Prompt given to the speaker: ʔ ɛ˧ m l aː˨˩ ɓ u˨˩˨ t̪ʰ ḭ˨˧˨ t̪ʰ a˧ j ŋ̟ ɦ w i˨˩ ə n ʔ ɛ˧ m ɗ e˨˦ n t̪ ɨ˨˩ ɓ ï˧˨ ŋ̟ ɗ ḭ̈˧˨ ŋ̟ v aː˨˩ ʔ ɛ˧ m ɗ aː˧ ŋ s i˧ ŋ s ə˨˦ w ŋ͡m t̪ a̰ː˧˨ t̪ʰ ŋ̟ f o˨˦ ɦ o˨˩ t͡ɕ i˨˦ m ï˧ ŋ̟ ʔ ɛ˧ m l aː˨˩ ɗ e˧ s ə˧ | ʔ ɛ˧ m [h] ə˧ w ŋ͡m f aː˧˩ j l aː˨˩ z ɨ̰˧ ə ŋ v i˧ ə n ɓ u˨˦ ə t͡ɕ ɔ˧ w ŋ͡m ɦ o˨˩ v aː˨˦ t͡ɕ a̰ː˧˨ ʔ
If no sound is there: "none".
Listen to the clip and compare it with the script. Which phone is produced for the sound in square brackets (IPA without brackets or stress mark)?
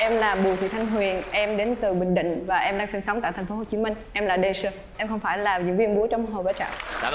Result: x